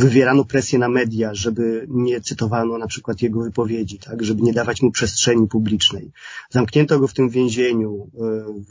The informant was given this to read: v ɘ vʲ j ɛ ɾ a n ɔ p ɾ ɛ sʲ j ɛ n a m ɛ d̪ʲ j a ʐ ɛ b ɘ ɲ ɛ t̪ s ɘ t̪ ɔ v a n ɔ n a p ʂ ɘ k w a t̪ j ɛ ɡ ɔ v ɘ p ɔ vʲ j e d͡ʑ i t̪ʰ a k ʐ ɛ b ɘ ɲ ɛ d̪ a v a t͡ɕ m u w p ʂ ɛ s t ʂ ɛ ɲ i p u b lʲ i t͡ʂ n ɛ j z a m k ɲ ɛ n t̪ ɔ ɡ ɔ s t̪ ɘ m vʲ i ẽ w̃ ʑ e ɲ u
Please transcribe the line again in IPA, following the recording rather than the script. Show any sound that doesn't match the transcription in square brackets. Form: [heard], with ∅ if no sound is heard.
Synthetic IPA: v ɘ vʲ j ɛ ɾ a n ɔ p ɾ ɛ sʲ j ɛ n a m ɛ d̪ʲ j a ʐ ɛ b ɘ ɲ ɛ t̪ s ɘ t̪ ɔ v a n ɔ n a p ʂ ɘ k w a t̪ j ɛ ɡ ɔ v ɘ p ɔ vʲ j e d͡ʑ i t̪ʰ a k ʐ ɛ b ɘ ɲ ɛ d̪ a v a t͡ɕ m u [∅] p ʂ ɛ s t ʂ ɛ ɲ i p u b lʲ i t͡ʂ n ɛ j z a m k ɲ ɛ n t̪ ɔ ɡ ɔ [f] t̪ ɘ m vʲ [j] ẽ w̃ ʑ e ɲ u